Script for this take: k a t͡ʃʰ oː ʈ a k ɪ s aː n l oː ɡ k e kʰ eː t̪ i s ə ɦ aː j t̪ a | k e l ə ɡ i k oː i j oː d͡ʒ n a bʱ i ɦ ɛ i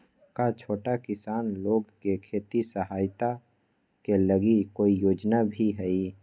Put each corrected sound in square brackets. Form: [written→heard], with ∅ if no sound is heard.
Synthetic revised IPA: k a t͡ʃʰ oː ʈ a k ɪ s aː n l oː ɡ k e kʰ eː t̪ i s ə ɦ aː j t̪ a | k e l ə ɡ i k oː i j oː d͡ʒ n a bʱ i ɦ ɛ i

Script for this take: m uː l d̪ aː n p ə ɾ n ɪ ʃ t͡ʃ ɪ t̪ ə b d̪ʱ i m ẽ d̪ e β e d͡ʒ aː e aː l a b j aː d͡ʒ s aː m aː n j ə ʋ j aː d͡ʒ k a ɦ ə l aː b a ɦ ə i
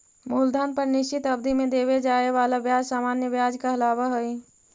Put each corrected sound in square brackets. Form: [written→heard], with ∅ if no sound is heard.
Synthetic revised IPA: m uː l d̪ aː n p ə ɾ n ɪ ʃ t͡ʃ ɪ t̪ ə b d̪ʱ i m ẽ d̪ e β e d͡ʒ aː e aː l a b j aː d͡ʒ s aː m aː n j ə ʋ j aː d͡ʒ k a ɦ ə l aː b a ɦ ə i

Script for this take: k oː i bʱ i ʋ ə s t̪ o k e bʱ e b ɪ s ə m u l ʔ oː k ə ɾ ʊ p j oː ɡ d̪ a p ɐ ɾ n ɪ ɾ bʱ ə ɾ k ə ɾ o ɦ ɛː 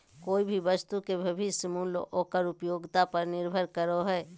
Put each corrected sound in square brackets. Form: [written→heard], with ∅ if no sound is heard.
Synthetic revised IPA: k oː i bʱ i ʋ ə s t̪ [o→u] k e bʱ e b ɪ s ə m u l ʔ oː k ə ɾ ʊ p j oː ɡ [d̪→t̪] a p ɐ ɾ n ɪ ɾ bʱ ə ɾ k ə ɾ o ɦ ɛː

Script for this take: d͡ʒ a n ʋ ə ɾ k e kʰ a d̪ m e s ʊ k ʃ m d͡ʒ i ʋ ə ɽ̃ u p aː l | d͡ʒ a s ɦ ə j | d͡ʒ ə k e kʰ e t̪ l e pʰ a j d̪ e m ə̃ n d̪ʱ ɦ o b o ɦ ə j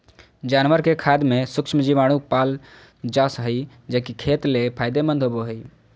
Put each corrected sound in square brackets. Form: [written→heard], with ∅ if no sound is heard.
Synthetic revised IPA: d͡ʒ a n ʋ ə ɾ k e kʰ a d̪ m e s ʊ k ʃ m d͡ʒ i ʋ [ə→a] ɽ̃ u p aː l | d͡ʒ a s ɦ ə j | d͡ʒ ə k [e→i] kʰ e t̪ l e pʰ a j d̪ e m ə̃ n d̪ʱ ɦ o b o ɦ ə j

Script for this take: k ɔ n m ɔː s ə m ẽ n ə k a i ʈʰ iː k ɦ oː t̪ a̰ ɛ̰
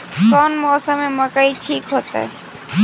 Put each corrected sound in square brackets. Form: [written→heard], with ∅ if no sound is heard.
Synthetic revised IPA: k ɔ n m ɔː s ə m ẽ [n→m] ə k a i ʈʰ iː k ɦ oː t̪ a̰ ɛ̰

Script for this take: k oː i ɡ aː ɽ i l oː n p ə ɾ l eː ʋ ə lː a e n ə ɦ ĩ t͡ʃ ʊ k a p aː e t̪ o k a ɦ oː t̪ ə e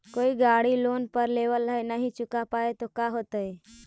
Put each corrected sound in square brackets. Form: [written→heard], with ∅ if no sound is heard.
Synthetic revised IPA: k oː i ɡ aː ɽ i l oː n p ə ɾ l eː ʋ ə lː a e n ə ɦ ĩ t͡ʃ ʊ k a p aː e t̪ o k a ɦ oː t̪ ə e

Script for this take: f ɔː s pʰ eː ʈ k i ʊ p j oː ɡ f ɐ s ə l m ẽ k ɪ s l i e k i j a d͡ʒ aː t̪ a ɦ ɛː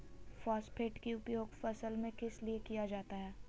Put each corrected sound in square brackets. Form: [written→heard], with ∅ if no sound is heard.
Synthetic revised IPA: f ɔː s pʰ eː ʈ k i ʊ p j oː ɡ f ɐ s ə l m ẽ k ɪ s l i e k i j a d͡ʒ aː t̪ a ɦ ɛː

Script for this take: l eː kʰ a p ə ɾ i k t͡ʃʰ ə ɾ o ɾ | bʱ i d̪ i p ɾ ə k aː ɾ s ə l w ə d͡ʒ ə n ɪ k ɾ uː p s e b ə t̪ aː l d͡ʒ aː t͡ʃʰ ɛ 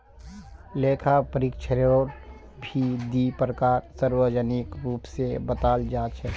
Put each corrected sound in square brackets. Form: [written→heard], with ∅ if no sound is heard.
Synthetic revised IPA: l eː kʰ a p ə ɾ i k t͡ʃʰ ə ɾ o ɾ | bʱ i d̪ i p ɾ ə k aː ɾ s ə [l→ɾ] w ə d͡ʒ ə n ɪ k ɾ uː p s e b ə t̪ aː l d͡ʒ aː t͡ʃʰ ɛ

